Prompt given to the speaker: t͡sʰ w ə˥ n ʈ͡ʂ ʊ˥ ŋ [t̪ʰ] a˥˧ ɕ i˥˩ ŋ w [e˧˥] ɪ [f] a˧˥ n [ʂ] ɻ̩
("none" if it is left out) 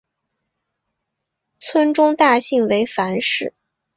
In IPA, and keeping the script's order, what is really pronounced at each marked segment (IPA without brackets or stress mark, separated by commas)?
t̪, e˧˥, f, ʂ